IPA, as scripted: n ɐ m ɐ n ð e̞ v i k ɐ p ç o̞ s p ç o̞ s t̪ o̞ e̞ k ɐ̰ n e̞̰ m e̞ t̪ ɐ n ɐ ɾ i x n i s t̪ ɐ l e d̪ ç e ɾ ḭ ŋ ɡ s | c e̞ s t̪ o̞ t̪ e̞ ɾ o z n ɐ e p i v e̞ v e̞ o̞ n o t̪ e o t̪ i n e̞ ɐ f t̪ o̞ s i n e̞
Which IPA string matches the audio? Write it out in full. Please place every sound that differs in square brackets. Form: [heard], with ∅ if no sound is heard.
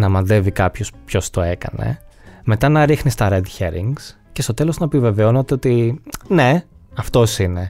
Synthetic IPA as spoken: n ɐ m ɐ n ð e̞ v i k ɐ p ç o̞ s p ç o̞ s t̪ o̞ e̞ k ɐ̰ n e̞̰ m e̞ t̪ ɐ n ɐ ɾ i x n i s t̪ ɐ [ɾ] e d̪ ç e ɾ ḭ ŋ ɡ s | c e̞ s t̪ o̞ t̪ e̞ [l] o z n ɐ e p i v e̞ v e̞ o̞ n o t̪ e o t̪ i n e̞ ɐ f t̪ o̞ s i n e̞